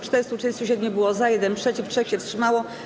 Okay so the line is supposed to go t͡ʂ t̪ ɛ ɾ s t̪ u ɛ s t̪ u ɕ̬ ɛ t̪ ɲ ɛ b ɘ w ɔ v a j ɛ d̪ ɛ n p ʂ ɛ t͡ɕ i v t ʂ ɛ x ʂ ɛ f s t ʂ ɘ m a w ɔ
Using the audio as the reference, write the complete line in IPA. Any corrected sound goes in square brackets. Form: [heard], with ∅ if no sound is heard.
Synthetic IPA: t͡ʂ t̪ ɛ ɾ s t̪ u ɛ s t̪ u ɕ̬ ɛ [d̪] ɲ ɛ b ɘ w ɔ [z] a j ɛ d̪ ɛ n p ʂ ɛ t͡ɕ i [f] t ʂ ɛ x [ɕ] ɛ f s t ʂ ɘ m a w ɔ